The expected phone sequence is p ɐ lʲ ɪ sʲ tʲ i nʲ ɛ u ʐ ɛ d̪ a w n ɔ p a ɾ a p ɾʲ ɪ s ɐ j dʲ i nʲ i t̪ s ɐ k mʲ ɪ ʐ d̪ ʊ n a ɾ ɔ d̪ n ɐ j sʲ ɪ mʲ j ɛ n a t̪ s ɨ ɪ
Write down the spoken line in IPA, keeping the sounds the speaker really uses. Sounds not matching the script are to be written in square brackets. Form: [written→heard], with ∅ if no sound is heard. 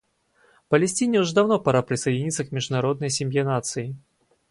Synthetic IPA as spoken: p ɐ lʲ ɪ sʲ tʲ i nʲ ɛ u ʐ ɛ d̪ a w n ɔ p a ɾ a p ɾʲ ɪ s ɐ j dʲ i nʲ i t̪ s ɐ k mʲ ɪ ʐ d̪ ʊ n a ɾ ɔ d̪ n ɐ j sʲ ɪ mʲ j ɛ n a t̪ s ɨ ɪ